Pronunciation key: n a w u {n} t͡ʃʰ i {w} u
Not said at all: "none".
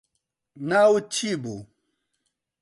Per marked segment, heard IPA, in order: none, b

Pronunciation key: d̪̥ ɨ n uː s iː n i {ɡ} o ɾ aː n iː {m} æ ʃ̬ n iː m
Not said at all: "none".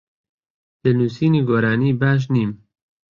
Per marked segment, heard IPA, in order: ɡ, b

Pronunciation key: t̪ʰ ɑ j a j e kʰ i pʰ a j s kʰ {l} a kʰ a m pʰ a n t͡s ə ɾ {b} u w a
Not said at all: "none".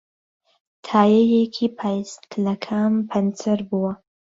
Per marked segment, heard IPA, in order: l, b

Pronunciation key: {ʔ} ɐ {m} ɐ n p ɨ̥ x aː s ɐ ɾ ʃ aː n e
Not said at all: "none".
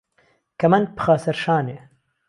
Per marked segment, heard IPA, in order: k, m

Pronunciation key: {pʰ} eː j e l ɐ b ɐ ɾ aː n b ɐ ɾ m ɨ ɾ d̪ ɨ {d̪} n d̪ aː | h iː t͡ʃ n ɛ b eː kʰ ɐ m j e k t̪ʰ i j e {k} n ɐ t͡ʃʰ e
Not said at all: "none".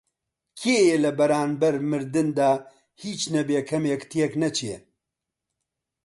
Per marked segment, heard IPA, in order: kʰ, none, k

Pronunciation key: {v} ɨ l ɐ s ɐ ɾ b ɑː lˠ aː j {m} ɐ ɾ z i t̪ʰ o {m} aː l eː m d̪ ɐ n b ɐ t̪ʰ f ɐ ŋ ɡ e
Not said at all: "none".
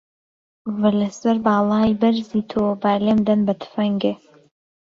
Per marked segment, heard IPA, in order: v, b, b

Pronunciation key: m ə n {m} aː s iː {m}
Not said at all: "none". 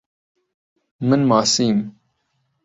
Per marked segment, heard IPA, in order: m, m

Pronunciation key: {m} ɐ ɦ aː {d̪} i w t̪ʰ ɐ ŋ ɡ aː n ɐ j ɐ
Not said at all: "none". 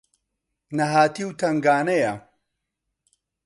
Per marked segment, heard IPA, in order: n, t̪

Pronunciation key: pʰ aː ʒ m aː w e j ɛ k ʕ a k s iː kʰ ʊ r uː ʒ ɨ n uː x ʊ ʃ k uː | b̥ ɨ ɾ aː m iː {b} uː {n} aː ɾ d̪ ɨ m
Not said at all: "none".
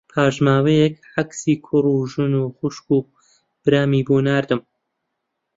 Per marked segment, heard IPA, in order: b, n

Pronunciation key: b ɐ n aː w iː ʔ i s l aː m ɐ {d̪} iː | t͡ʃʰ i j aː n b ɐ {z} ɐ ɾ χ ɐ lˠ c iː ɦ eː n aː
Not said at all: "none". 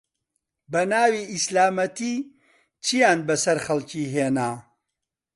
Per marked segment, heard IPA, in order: t̪, s

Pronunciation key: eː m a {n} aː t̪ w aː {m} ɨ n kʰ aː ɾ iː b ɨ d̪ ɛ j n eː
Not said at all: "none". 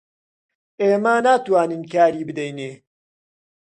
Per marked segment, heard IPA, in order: n, n

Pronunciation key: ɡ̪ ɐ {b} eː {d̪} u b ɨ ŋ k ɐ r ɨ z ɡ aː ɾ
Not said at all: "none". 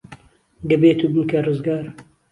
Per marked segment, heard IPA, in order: b, t̪

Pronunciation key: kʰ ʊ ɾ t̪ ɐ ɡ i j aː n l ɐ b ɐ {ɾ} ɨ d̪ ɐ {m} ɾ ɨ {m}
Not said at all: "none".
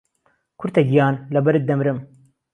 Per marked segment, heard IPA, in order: ɾ, m, m

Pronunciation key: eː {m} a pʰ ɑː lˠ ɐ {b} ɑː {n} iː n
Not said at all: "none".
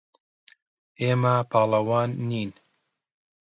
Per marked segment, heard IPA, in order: m, w, nː

